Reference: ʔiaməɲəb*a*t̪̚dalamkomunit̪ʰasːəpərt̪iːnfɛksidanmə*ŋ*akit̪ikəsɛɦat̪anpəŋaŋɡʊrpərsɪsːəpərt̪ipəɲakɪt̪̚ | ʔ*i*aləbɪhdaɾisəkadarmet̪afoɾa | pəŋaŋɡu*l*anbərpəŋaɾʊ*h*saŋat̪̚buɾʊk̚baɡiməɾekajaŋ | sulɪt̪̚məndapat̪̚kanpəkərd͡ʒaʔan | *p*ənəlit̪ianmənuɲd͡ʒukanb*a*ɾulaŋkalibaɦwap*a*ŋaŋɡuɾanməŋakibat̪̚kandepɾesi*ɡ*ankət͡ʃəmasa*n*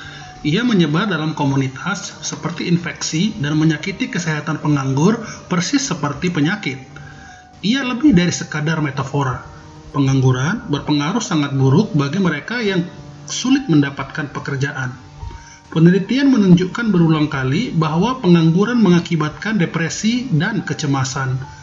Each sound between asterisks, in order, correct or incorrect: correct, incorrect: ɲ, correct, incorrect: ɾ, correct, correct, incorrect: ə, incorrect: ə, incorrect: d, correct

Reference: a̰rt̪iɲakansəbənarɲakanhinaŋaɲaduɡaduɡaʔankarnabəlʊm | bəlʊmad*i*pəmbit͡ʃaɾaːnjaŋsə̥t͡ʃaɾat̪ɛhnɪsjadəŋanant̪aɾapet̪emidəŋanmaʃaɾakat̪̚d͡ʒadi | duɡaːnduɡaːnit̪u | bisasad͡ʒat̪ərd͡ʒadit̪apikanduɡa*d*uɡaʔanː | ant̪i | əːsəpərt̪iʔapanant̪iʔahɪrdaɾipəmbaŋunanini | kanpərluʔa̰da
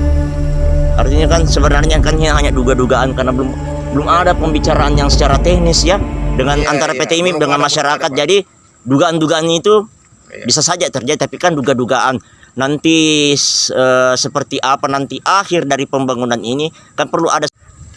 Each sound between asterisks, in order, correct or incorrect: incorrect: a, correct

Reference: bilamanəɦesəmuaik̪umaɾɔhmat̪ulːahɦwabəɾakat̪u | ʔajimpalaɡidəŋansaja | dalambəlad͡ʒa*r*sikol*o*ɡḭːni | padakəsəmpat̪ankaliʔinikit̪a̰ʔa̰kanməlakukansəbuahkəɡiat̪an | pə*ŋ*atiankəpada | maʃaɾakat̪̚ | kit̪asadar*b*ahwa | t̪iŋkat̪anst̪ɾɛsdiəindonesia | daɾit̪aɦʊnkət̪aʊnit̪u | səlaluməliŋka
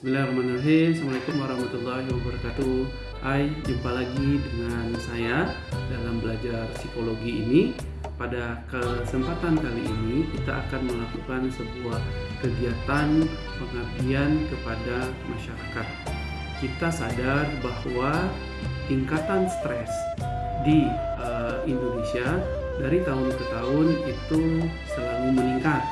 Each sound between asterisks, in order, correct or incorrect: correct, correct, correct, correct

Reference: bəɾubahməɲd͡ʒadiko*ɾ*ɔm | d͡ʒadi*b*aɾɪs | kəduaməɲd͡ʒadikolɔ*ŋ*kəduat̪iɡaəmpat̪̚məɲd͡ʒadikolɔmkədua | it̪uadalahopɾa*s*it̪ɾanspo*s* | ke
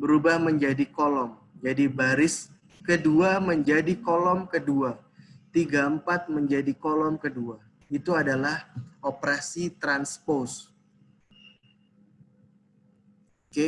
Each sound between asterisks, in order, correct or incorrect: incorrect: l, correct, incorrect: m, correct, correct

